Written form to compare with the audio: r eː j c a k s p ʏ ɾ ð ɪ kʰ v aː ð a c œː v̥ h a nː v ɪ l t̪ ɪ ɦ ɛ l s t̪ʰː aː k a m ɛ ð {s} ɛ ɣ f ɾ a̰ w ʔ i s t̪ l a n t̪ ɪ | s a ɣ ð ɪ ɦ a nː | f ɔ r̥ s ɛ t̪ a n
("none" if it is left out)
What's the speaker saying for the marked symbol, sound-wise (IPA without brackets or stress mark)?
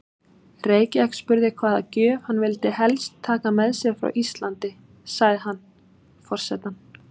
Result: s